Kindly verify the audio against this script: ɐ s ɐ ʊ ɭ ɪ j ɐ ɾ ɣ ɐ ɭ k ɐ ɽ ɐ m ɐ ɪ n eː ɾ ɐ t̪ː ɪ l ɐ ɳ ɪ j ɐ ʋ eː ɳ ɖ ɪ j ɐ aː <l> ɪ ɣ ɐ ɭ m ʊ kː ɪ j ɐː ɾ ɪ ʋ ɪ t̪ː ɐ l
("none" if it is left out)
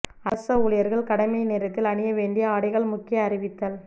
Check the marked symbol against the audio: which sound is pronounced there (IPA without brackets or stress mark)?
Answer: ɽ